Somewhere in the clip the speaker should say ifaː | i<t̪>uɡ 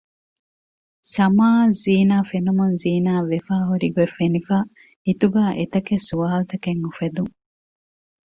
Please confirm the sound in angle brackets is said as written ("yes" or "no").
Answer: yes